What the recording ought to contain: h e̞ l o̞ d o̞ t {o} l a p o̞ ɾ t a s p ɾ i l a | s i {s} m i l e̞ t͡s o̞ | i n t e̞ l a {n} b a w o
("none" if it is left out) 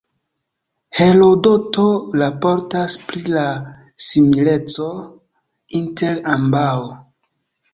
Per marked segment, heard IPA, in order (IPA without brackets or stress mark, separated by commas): o, none, m